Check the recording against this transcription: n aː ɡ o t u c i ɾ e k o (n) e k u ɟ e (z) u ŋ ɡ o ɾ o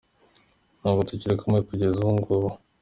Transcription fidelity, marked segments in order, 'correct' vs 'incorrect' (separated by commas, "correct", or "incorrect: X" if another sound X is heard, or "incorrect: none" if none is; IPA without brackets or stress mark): incorrect: m, correct